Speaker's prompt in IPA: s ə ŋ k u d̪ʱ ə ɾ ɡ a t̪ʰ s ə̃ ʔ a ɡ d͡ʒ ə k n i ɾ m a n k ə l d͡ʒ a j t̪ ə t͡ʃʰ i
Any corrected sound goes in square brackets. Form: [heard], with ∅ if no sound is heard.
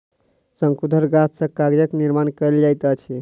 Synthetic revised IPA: s ə ŋ k u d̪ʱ ə ɾ ɡ a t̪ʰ s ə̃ [k] a ɡ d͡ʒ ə k n i ɾ m a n k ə l d͡ʒ a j t̪ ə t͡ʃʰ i